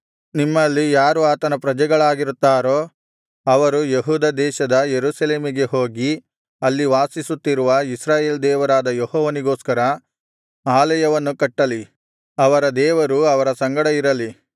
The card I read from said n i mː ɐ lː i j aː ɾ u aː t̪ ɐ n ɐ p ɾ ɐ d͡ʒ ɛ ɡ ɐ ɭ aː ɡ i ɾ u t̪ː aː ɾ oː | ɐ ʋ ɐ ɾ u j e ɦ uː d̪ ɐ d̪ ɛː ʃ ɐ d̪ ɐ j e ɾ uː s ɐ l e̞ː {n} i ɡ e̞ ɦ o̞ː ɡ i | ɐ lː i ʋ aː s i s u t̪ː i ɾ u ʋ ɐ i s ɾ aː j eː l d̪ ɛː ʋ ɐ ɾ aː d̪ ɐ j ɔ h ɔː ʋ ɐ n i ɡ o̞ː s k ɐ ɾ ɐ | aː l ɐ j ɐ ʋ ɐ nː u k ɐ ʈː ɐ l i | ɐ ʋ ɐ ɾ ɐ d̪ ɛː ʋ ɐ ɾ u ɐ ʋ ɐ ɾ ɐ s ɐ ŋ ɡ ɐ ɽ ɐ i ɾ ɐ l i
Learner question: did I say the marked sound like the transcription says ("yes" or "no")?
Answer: no